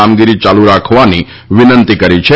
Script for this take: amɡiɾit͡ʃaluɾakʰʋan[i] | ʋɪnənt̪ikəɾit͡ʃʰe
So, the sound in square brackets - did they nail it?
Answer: yes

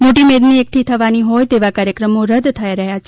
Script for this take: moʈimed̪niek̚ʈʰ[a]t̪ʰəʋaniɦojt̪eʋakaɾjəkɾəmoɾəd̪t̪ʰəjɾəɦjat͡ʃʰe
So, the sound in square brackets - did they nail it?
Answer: no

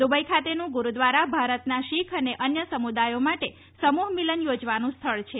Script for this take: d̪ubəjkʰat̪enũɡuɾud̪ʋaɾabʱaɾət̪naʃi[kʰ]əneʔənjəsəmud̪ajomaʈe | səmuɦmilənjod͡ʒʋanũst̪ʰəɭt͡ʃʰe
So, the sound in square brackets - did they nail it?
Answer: yes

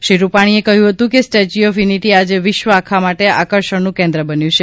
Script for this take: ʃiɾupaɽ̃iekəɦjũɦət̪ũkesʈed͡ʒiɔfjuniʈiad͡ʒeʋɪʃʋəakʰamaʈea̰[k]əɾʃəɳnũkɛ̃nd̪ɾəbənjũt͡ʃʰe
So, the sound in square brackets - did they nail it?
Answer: yes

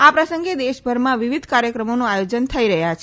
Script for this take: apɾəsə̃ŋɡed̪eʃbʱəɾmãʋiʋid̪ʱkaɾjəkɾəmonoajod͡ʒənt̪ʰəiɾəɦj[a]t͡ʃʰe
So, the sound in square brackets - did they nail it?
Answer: yes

